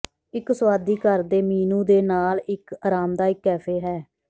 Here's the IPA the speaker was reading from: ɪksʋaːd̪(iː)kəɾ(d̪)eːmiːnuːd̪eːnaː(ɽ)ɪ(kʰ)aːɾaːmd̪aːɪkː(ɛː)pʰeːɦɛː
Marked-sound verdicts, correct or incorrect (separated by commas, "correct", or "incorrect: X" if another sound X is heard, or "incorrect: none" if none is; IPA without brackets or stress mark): correct, correct, incorrect: l, incorrect: k, correct